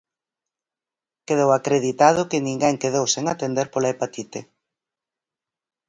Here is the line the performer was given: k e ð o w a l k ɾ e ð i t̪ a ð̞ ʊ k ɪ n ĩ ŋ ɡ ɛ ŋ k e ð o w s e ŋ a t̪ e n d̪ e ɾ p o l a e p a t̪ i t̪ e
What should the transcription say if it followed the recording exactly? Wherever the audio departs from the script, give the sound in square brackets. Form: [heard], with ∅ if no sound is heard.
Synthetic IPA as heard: k e ð o w a [∅] k ɾ e ð i t̪ a ð̞ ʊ k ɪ n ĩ ŋ ɡ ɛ ŋ k e ð o w s e ŋ a t̪ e n d̪ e ɾ p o l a e p a t̪ i t̪ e